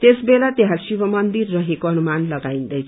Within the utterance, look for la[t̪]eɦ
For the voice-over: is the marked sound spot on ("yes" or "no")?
yes